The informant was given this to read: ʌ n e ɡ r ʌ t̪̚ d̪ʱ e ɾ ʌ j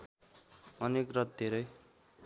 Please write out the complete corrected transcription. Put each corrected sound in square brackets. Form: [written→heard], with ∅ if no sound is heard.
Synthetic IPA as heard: ʌ n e [ɡ→k] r ʌ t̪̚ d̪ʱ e ɾ ʌ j